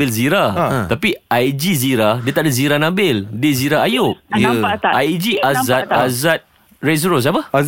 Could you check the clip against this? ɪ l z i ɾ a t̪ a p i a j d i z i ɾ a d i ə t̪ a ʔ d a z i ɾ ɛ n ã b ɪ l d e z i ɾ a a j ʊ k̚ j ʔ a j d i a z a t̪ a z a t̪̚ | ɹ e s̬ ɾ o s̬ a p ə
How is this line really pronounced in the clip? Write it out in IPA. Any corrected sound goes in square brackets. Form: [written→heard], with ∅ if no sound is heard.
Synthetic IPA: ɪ l z i ɾ a t̪ a p i a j [d→d͡ʒ] i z i ɾ a d i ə t̪ a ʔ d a z i ɾ [ɛ→a] n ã b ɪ l d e z i ɾ a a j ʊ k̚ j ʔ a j [d→d͡ʒ] i a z a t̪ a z a t̪̚ | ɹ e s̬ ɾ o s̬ a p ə